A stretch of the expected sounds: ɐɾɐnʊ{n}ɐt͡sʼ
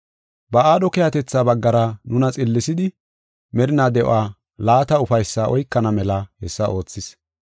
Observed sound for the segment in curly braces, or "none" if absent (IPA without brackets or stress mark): n